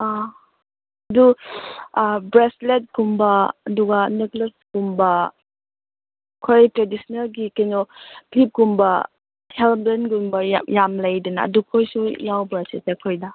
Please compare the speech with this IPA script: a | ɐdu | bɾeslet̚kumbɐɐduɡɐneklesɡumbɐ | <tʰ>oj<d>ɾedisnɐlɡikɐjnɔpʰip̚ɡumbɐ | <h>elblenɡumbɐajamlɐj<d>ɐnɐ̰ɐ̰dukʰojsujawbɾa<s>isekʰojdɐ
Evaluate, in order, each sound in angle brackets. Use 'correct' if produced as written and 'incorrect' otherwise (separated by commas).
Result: incorrect, incorrect, correct, correct, correct